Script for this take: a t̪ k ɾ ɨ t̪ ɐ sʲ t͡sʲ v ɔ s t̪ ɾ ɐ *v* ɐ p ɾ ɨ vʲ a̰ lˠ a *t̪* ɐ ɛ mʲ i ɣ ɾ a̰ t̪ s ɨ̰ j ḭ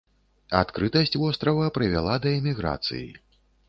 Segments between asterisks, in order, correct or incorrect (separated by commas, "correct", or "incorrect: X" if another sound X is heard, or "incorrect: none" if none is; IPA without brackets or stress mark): correct, incorrect: d̪